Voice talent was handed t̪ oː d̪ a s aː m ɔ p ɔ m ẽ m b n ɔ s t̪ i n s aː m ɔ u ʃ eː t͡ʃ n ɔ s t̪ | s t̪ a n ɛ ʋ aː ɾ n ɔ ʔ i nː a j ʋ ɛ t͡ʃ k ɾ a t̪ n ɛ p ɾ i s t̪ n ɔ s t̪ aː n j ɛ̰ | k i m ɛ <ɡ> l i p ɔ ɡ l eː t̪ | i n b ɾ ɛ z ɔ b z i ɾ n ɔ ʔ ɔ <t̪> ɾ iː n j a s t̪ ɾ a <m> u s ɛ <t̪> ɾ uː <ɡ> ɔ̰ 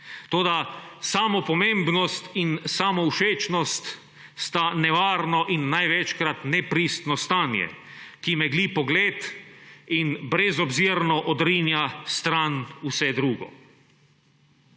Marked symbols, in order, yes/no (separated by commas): yes, no, no, no, yes